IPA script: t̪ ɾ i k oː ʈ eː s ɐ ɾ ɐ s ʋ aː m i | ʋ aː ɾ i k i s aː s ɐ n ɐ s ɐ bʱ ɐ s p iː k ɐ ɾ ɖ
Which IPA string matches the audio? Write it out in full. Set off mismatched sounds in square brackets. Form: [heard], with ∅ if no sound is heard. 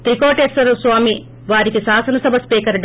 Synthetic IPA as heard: t̪ ɾ i k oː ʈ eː s ɐ ɾ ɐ s ʋ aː m i | ʋ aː ɾ i k i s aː s ɐ n ɐ s ɐ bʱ ɐ s p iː k ɐ ɾ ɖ